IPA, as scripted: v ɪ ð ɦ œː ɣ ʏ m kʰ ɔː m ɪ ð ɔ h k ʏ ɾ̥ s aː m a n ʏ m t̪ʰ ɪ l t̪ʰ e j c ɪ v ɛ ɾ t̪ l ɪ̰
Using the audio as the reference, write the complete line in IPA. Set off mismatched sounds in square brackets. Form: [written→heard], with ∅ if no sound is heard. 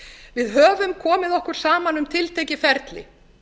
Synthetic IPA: v ɪ ð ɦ œː [ɣ→v] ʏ m kʰ ɔː m ɪ ð ɔ h k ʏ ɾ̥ s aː m a n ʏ m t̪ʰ ɪ l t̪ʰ e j c ɪ [v→f] ɛ ɾ t̪ l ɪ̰